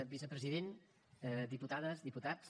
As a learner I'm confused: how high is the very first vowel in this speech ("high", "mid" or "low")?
high